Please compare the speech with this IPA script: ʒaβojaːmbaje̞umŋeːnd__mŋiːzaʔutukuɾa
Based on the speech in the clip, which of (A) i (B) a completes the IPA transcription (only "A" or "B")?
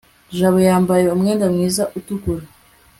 B